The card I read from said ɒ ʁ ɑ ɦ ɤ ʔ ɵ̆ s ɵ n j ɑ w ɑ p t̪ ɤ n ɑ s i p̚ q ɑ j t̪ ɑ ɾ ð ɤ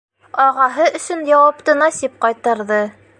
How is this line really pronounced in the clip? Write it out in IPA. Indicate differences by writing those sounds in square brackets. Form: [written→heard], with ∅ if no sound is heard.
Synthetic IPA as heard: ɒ ʁ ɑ ɦ ɤ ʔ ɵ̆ s ɵ n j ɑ w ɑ p t̪ ɤ n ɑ s i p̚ q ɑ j t̪ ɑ ɾ ð ɤ